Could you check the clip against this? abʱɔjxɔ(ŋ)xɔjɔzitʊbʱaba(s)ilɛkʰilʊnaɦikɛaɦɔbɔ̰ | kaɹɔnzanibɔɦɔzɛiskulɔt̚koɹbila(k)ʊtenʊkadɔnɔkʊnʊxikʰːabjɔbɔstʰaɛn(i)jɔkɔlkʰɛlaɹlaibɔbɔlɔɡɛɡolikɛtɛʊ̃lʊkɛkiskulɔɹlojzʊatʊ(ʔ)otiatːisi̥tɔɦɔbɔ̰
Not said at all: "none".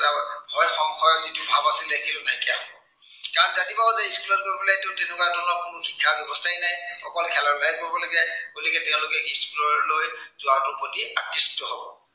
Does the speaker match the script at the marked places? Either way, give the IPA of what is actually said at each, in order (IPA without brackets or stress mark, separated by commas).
ŋ, s, t, a, p